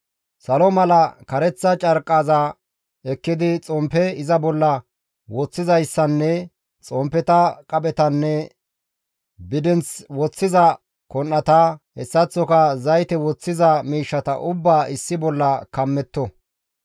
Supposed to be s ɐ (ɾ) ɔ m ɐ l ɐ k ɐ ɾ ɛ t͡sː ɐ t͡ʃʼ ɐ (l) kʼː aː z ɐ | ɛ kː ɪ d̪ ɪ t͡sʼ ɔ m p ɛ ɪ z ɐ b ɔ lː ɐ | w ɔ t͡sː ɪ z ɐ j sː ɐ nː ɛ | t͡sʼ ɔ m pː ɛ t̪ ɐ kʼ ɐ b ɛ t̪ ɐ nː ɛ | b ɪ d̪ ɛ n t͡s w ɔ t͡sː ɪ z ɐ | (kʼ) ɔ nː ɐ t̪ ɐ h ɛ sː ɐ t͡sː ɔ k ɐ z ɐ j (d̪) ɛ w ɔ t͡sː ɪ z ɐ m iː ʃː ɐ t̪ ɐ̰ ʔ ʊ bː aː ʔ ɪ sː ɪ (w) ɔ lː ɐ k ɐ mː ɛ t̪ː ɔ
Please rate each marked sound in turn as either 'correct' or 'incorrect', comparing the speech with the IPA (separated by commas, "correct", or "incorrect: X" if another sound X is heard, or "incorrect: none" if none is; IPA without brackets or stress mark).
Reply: incorrect: l, incorrect: ɾ, incorrect: k, incorrect: t̪, incorrect: b